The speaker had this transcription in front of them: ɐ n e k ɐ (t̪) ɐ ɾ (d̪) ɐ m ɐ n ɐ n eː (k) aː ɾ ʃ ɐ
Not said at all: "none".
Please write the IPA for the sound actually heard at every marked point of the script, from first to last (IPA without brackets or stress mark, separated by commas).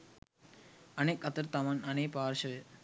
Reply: t̪, t̪, p